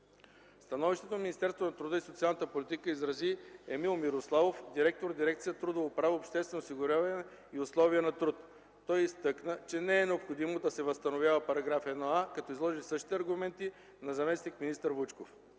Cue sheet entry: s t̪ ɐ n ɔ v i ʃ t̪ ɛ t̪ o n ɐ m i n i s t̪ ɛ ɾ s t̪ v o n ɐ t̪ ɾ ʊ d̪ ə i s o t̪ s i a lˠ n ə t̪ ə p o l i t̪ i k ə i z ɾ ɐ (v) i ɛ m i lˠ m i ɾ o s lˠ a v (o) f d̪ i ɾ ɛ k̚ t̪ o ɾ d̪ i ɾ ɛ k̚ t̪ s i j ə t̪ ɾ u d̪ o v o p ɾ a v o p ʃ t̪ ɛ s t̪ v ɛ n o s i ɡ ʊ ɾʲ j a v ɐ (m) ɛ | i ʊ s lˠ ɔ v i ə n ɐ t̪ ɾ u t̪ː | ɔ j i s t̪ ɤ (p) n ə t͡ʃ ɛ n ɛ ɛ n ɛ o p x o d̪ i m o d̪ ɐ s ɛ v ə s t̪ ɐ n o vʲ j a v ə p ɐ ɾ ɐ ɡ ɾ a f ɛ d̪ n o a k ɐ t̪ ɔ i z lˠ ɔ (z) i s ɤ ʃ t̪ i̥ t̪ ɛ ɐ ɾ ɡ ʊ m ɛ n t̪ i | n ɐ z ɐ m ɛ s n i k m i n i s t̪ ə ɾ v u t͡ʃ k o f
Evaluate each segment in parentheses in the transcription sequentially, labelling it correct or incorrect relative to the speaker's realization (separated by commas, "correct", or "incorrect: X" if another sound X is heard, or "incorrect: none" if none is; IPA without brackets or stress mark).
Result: incorrect: z, correct, incorrect: n, incorrect: k, incorrect: ʒ